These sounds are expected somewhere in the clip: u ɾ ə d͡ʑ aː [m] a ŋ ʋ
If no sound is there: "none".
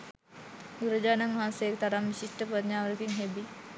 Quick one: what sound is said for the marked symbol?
n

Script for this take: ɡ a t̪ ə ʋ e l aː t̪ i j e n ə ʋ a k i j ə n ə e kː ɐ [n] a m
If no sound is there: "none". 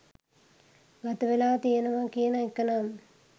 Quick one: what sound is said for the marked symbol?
n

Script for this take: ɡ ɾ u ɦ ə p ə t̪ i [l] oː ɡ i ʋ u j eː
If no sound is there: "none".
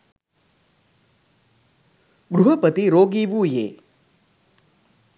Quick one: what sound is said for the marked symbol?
ɾ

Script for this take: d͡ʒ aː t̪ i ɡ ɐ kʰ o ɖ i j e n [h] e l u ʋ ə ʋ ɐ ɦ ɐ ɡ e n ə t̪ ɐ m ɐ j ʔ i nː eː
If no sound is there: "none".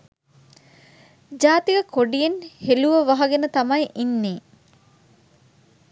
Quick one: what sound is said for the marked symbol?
h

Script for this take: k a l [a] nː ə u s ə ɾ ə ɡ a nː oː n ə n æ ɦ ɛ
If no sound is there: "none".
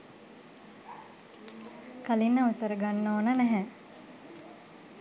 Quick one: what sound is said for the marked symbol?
i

